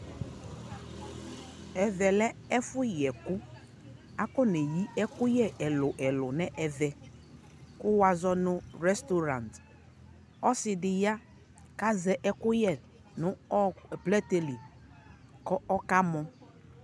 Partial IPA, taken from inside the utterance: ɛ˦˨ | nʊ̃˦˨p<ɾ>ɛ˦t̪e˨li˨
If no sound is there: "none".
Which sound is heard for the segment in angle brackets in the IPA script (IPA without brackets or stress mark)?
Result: l